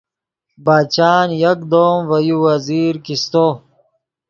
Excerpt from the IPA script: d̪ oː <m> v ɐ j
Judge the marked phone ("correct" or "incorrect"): correct